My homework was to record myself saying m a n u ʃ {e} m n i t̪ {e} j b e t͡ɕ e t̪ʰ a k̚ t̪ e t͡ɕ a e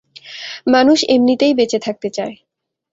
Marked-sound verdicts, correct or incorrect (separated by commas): correct, correct